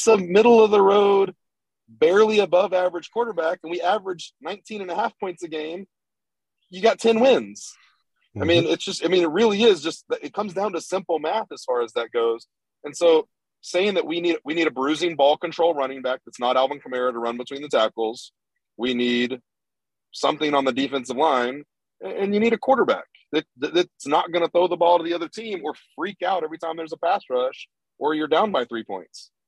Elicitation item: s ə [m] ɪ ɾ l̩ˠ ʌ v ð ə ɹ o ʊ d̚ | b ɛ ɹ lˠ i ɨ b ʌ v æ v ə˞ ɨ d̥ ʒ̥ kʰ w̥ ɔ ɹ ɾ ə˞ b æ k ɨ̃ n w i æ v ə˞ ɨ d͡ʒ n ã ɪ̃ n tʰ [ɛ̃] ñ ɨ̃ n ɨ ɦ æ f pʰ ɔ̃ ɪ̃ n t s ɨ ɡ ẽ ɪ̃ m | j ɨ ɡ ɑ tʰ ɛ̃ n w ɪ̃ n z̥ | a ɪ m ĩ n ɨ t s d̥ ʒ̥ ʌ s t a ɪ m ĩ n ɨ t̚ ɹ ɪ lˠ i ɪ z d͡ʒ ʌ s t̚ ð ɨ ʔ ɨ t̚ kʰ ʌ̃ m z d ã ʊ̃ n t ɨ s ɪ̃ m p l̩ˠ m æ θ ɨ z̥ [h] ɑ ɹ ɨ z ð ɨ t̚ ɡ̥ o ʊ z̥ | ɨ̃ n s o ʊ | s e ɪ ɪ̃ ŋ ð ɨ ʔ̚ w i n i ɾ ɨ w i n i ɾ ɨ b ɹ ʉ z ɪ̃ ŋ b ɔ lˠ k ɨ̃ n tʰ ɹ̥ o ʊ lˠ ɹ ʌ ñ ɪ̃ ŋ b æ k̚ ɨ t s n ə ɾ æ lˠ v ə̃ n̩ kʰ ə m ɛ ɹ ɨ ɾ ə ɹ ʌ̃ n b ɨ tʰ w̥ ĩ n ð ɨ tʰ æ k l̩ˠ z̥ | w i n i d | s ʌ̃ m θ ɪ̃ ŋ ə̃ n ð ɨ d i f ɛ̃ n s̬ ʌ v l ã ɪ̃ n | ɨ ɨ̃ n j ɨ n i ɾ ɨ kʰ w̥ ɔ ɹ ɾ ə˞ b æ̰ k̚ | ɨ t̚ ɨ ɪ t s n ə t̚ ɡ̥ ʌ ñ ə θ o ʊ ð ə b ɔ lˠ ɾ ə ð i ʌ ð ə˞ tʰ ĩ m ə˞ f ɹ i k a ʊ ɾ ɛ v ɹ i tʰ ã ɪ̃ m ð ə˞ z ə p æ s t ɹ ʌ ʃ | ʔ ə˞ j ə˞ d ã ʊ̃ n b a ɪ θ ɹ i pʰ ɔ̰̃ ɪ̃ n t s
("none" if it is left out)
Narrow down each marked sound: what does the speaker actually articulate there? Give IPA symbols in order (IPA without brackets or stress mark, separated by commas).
m, ĩ, f